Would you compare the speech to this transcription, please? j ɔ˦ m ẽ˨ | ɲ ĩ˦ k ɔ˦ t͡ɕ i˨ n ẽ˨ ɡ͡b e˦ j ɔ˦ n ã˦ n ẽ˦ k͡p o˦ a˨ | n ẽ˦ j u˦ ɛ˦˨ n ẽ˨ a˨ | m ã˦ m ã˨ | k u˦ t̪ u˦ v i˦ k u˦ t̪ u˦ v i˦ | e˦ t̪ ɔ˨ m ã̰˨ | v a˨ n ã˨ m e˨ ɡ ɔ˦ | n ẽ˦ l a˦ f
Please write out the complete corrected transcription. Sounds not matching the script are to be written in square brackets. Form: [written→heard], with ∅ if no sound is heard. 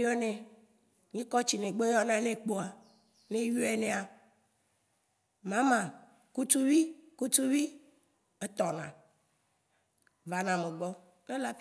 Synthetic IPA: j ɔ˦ [m→n] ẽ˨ | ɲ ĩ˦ k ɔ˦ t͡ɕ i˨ n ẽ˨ ɡ͡b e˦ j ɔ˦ n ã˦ n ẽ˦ k͡p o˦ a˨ | n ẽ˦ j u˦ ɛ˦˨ n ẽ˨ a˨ | m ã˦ m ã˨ | k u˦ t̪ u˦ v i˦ k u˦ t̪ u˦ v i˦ | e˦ t̪ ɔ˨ [m→n] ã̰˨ | v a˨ n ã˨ m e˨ [ɡ→ɡ͡b] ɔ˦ | n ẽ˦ l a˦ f